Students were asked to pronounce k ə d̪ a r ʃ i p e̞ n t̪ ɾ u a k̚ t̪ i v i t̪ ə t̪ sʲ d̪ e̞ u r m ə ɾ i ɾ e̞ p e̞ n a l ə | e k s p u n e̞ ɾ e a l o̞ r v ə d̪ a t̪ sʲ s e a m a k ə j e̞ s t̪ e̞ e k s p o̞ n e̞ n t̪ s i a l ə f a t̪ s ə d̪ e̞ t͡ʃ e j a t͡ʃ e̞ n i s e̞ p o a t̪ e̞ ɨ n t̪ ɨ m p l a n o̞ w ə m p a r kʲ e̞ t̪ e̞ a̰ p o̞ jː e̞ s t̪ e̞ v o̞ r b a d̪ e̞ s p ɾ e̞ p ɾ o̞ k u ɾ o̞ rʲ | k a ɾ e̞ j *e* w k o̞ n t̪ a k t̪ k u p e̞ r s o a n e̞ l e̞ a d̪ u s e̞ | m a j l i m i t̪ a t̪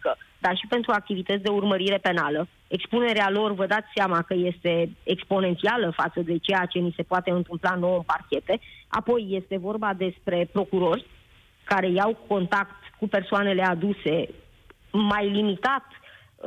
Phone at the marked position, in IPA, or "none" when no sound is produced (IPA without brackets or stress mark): a